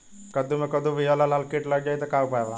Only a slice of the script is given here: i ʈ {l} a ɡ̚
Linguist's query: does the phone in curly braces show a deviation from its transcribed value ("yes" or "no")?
no